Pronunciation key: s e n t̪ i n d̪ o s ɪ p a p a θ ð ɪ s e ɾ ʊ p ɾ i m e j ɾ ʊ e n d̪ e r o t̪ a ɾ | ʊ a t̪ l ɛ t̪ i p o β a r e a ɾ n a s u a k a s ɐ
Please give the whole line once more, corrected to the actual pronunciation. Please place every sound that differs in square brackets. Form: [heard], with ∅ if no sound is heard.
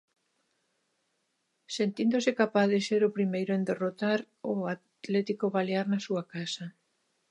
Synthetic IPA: s e n t̪ i n d̪ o s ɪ [k] a p a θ ð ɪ s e ɾ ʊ p ɾ i m e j ɾ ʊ e n d̪ e r o t̪ a ɾ | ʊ a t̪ l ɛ t̪ i [k] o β a [l] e a ɾ n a s u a k a s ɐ